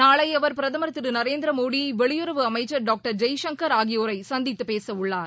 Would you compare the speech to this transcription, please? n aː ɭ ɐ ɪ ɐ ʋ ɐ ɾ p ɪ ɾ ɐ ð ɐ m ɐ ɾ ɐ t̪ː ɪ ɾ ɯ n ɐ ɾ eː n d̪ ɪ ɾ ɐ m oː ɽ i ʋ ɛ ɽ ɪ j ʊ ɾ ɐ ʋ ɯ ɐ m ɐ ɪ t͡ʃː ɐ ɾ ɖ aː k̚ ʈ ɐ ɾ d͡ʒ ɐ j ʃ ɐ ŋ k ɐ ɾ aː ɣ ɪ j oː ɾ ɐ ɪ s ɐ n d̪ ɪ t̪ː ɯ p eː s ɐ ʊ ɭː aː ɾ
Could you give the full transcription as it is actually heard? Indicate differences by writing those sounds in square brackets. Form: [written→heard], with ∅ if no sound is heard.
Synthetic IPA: n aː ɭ ɐ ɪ ɐ ʋ ɐ ɾ p ɪ ɾ ɐ ð ɐ m ɐ ɾ ɐ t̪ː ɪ ɾ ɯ n ɐ ɾ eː n d̪ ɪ ɾ ɐ m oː ɽ i ʋ ɛ [ɽ→ɭ] ɪ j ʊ ɾ ɐ ʋ ɯ ɐ m ɐ ɪ t͡ʃː ɐ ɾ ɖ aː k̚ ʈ ɐ ɾ d͡ʒ ɐ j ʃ ɐ ŋ k ɐ ɾ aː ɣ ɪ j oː ɾ ɐ ɪ s ɐ n d̪ ɪ t̪ː ɯ p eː s ɐ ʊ ɭː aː ɾ